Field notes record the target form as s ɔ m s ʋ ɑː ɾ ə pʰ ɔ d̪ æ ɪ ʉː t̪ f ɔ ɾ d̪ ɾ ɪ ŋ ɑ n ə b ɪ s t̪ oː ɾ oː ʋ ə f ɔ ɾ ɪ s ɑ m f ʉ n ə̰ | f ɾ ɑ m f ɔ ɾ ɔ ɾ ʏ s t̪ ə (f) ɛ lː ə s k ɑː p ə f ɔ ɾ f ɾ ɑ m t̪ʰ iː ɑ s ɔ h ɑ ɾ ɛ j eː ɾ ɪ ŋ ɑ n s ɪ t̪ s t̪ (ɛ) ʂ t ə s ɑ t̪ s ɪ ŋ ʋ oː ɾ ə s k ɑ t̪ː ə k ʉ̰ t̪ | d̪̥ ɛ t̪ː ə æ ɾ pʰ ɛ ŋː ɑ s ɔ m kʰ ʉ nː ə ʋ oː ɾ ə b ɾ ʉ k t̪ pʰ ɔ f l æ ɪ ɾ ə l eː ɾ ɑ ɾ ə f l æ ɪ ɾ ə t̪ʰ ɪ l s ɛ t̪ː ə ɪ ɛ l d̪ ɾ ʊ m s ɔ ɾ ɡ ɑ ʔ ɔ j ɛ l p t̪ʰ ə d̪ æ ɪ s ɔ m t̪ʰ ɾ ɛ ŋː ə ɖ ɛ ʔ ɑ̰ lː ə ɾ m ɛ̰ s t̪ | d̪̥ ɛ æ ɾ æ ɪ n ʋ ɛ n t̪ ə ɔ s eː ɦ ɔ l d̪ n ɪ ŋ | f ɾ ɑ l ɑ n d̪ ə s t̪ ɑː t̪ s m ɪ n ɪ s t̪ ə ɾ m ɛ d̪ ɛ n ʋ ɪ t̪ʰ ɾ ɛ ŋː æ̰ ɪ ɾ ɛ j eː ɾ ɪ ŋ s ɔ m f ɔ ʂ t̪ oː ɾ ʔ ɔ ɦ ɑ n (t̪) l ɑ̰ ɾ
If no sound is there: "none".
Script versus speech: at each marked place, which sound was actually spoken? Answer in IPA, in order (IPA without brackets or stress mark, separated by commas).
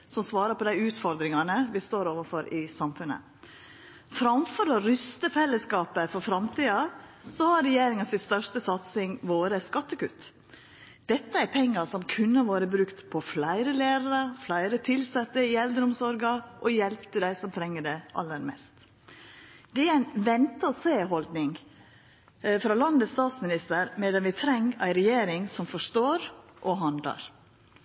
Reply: f, œ, d̪